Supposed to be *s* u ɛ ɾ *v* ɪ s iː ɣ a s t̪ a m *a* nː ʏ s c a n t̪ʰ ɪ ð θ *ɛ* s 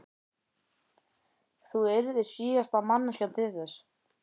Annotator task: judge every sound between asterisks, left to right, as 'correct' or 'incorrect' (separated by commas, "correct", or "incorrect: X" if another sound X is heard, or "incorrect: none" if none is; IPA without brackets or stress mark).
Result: incorrect: θ, incorrect: ð, correct, correct